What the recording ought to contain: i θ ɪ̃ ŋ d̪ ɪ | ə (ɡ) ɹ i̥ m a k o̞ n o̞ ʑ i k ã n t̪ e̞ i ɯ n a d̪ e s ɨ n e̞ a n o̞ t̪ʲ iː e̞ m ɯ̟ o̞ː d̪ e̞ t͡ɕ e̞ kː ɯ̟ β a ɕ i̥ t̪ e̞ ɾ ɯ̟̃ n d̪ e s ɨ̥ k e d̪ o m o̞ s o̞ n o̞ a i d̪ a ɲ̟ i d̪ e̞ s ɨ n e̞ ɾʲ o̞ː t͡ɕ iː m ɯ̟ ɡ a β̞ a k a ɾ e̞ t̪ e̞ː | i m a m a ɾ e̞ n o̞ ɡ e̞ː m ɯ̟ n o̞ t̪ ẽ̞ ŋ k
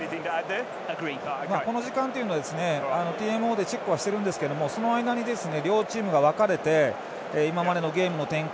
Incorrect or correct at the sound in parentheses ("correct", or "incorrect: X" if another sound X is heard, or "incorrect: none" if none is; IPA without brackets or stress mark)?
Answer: correct